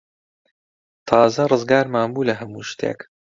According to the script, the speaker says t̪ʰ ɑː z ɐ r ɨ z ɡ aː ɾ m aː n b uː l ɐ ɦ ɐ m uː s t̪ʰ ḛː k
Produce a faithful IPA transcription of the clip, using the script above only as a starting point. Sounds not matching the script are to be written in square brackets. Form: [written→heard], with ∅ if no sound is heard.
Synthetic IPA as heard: t̪ʰ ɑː z ɐ r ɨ z ɡ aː ɾ m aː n b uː l ɐ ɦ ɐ m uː [s→ʃ] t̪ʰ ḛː k